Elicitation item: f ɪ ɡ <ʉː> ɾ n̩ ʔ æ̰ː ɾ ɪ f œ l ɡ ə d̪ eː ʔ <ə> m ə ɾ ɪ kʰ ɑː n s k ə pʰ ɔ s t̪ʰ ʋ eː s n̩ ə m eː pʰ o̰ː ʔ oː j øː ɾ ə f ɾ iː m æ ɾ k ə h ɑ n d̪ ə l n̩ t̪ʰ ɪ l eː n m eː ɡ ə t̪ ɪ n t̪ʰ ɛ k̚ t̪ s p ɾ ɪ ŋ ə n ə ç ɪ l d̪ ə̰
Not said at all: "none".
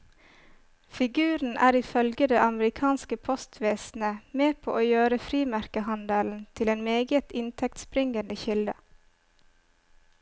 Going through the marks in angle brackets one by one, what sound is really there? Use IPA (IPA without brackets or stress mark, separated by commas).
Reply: ʉː, ɑ